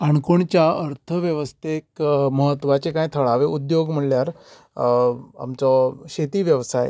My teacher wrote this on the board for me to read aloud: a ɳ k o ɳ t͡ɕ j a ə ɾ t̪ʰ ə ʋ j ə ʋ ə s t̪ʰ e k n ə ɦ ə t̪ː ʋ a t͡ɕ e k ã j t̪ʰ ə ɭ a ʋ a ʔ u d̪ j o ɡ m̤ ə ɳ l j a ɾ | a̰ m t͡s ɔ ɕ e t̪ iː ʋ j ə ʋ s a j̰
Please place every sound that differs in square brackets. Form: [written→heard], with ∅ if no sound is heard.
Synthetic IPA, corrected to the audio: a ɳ k o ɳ t͡ɕ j a ə ɾ t̪ʰ ə ʋ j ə ʋ ə s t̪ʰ e k [n→m] ə ɦ ə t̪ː ʋ a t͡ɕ e k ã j t̪ʰ ə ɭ a ʋ [a→e] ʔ u d̪ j o ɡ m̤ ə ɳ l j a ɾ | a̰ m t͡s ɔ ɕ e t̪ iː ʋ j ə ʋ s a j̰

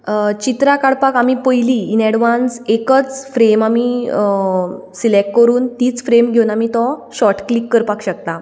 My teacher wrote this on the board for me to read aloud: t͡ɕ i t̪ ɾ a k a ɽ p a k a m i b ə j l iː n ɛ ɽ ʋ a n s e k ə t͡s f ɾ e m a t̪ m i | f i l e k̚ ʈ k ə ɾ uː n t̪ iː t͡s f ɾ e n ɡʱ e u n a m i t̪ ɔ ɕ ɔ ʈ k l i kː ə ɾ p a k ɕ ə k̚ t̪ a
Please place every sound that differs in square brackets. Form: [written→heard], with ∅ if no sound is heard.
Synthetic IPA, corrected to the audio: t͡ɕ i t̪ ɾ a k a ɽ p a k a m i [b→p] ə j l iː n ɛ ɽ ʋ a n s e k ə t͡s f ɾ e m a [t̪→∅] m i | [f→s] i l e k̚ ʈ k ə ɾ uː n t̪ iː t͡s f ɾ e [n→m] ɡʱ e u n a m i t̪ ɔ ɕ ɔ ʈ k l i kː ə ɾ p a k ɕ ə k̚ t̪ a

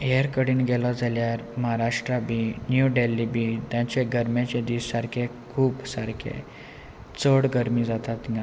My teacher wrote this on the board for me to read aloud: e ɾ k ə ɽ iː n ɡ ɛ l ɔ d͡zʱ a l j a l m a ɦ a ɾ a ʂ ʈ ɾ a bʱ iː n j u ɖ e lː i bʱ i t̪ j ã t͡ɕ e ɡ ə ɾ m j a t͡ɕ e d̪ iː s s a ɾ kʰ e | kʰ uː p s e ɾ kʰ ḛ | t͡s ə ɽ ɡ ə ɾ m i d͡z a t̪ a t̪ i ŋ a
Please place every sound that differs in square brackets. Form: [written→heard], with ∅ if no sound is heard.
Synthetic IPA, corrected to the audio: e ɾ k ə ɽ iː n ɡ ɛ l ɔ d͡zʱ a l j a [l→ɾ] m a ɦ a ɾ a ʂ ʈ ɾ a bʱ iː n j u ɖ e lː i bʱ i t̪ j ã t͡ɕ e ɡ ə ɾ m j a t͡ɕ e d̪ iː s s a ɾ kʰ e | kʰ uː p s [e→a] ɾ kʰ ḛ | t͡s ə ɽ ɡ ə ɾ m i d͡z a t̪ a t̪ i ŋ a

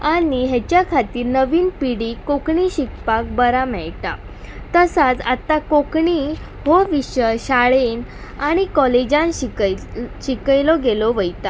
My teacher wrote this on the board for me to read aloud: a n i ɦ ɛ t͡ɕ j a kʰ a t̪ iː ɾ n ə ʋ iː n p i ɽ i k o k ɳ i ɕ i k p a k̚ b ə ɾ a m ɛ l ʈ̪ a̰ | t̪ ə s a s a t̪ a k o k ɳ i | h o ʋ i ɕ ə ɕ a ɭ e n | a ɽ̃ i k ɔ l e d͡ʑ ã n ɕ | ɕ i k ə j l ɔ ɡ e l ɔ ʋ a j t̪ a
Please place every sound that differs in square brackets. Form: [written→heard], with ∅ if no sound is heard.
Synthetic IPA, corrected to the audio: a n i ɦ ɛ t͡ɕ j a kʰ a t̪ iː ɾ n ə ʋ iː n p i ɽ i k o k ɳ i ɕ i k p a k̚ b ə ɾ a m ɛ [l→ɭ] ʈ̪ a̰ | t̪ ə s a [s→t͡s] a t̪ a k o k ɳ i | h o ʋ i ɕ ə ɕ a ɭ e n | a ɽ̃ i k ɔ l e d͡ʑ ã n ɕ | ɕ i k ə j l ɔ ɡ e l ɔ ʋ [a→ə] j t̪ a

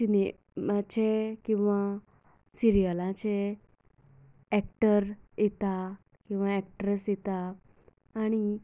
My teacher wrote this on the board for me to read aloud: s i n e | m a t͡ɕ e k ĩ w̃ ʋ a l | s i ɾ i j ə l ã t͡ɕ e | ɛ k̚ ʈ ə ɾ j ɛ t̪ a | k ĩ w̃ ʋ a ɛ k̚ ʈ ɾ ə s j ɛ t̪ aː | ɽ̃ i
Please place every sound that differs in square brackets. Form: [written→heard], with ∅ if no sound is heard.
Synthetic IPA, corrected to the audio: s i n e | m a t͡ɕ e k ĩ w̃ ʋ a [l→∅] | s i ɾ i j ə l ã t͡ɕ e | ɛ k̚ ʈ ə ɾ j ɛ t̪ a | k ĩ w̃ ʋ a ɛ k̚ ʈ ɾ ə s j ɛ t̪ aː | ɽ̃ i

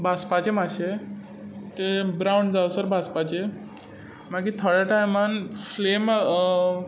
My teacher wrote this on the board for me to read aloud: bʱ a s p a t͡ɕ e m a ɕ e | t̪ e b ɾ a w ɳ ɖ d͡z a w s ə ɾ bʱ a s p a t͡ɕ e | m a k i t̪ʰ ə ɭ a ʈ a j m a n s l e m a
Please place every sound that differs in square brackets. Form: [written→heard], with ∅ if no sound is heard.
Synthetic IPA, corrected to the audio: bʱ a s p a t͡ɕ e m a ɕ e | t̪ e b ɾ a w ɳ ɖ d͡z a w s ə ɾ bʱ a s p a t͡ɕ e | m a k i t̪ʰ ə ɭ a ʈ a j m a n [s→f] l e m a

